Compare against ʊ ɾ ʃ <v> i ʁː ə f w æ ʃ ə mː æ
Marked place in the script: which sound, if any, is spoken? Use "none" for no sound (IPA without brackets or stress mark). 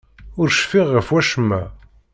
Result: f